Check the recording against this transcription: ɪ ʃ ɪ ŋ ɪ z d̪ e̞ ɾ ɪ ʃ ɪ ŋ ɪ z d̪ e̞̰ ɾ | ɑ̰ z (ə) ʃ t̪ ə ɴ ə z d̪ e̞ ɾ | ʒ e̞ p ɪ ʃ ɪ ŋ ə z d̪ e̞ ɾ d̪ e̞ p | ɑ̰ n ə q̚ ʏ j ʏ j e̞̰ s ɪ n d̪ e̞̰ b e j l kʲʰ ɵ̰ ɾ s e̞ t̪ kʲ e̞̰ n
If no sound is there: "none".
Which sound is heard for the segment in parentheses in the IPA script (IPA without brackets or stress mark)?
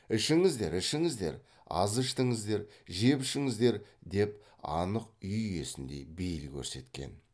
ə